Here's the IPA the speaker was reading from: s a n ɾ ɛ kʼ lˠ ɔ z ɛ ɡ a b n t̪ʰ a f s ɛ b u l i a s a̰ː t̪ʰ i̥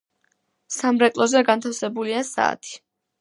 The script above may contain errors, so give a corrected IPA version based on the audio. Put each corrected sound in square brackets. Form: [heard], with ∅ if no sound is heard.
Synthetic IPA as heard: s a [m] ɾ ɛ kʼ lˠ ɔ z ɛ ɡ a [∅] n t̪ʰ a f s ɛ b u l i a s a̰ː t̪ʰ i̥